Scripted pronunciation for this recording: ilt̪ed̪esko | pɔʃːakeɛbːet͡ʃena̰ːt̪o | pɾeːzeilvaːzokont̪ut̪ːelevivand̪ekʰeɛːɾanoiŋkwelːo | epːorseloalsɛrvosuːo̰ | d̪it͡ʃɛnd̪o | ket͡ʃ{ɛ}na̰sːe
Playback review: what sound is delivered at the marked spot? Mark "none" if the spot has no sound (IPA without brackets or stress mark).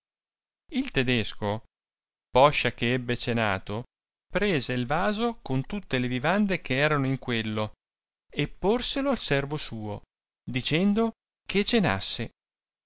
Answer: e